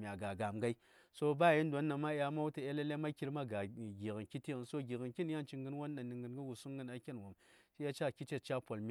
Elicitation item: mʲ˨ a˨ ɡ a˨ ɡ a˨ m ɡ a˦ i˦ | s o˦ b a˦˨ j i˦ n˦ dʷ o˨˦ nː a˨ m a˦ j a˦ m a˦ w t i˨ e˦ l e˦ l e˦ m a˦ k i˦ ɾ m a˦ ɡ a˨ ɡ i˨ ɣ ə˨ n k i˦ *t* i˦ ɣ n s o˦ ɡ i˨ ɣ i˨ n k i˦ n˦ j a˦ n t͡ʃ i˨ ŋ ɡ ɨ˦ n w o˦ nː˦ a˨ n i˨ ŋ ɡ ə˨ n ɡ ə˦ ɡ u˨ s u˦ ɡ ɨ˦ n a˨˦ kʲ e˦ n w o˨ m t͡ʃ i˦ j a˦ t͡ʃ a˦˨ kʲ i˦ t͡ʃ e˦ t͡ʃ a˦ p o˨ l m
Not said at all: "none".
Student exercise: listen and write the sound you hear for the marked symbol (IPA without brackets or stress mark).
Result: t